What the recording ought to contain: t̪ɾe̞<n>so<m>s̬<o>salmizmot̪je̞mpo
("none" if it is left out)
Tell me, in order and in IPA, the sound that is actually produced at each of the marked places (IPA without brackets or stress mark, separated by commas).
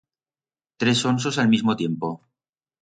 none, n, o